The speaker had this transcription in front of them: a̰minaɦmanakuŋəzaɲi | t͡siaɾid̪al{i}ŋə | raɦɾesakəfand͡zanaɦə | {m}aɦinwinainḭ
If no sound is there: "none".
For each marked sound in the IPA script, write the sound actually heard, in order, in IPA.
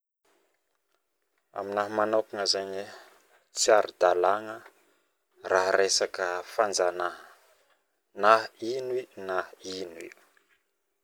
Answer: a, n

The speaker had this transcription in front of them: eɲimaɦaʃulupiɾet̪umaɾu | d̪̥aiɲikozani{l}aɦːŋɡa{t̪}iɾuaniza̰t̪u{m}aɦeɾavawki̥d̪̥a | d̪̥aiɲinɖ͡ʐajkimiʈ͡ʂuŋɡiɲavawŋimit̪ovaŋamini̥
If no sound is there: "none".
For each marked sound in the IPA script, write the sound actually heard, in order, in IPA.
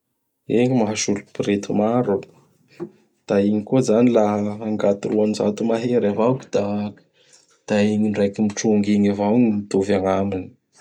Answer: l, t̪, m

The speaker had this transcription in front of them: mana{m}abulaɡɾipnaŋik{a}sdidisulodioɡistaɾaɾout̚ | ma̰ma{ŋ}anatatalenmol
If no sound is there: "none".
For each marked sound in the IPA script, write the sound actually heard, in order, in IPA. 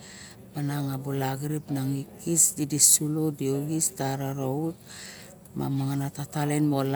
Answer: ŋ, i, ŋ

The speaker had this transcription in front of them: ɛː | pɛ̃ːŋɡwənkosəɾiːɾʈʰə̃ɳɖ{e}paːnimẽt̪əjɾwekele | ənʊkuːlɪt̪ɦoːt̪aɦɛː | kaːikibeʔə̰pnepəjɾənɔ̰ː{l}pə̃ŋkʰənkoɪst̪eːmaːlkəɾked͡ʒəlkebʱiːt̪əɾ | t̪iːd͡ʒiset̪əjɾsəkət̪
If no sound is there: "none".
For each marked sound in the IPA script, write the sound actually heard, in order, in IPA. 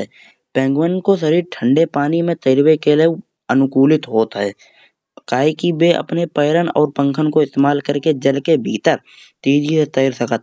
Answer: e, ɾ

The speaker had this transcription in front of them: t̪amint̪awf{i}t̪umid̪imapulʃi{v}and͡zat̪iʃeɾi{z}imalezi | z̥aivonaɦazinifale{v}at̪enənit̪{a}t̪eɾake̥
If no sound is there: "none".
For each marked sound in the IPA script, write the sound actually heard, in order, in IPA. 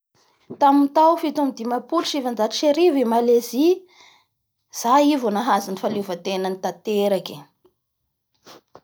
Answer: i, v, v, v, a

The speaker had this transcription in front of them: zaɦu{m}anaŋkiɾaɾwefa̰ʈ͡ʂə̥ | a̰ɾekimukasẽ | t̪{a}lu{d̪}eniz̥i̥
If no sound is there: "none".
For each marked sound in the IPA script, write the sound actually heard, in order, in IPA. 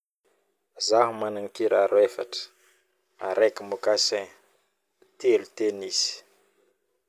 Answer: m, e, t̪

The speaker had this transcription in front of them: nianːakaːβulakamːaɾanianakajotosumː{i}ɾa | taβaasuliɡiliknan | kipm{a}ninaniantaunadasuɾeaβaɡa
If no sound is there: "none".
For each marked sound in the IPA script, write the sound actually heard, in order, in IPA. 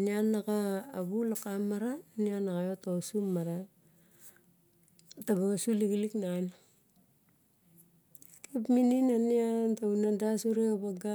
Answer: a, i

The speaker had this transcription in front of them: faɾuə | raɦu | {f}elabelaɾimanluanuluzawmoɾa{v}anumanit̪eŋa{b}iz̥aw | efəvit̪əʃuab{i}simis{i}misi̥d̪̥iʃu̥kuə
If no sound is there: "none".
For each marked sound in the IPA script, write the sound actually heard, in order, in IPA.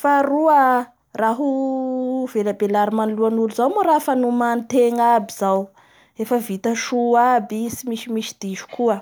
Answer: v, f, b, i, i

